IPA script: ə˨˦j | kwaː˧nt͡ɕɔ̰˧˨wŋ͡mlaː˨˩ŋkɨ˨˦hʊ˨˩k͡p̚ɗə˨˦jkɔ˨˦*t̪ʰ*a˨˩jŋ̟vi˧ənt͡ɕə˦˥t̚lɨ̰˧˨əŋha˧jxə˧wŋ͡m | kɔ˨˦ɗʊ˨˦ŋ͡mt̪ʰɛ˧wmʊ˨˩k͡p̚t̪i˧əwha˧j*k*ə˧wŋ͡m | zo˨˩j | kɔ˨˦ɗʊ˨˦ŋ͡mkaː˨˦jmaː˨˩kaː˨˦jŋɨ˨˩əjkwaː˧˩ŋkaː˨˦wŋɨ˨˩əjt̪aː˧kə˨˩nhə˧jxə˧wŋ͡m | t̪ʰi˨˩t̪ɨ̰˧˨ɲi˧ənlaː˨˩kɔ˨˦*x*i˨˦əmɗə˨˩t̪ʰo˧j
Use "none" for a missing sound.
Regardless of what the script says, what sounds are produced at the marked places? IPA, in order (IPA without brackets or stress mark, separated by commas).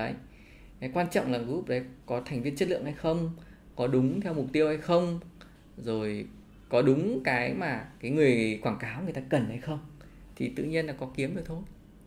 t̪ʰ, x, k